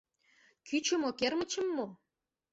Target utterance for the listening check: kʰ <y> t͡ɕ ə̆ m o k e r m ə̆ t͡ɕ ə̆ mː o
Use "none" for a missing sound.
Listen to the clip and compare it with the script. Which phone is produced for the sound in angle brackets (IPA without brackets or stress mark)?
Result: y